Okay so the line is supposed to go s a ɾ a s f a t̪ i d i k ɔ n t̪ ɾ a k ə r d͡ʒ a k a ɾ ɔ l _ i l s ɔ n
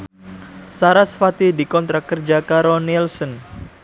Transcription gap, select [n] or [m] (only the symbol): n